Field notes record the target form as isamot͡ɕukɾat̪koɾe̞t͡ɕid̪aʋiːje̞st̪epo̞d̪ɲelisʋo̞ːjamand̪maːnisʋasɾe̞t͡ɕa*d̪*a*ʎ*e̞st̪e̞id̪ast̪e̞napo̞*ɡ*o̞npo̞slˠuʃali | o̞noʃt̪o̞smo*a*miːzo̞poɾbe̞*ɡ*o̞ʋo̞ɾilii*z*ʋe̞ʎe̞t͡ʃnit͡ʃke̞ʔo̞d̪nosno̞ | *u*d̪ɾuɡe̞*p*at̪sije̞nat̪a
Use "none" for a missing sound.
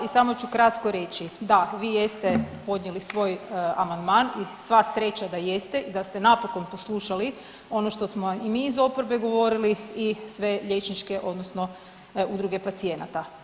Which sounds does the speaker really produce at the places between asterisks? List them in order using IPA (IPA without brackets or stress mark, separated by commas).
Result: d̪, j, k, i, ɡ, s, u, p